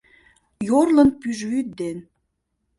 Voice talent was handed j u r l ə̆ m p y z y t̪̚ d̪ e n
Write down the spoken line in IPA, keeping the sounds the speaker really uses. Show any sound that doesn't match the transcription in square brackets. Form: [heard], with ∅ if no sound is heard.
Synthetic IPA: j [o] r l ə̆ [n] p y [ʒ] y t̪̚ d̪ e n